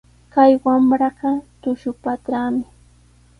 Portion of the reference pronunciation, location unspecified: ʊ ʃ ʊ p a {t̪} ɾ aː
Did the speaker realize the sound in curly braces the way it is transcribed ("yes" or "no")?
yes